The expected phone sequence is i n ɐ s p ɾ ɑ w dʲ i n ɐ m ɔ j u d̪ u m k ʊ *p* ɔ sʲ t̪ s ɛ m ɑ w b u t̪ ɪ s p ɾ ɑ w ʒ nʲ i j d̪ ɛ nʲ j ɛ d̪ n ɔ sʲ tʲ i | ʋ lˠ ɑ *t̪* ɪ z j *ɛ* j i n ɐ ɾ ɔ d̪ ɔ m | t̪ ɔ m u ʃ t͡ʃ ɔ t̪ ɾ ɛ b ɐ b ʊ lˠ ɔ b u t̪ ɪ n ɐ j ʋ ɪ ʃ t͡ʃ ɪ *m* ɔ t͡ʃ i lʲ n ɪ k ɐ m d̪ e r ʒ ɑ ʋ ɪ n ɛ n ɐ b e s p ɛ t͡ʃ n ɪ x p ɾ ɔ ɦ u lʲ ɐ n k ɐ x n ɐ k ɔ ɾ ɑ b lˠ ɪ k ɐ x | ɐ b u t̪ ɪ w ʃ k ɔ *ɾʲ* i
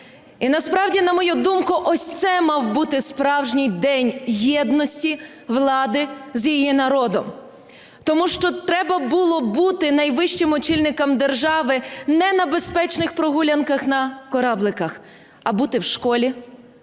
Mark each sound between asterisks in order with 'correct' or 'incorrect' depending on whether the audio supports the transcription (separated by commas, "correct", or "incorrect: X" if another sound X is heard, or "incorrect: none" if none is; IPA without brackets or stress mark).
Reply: incorrect: ʔ, incorrect: d̪, incorrect: i, correct, incorrect: lʲ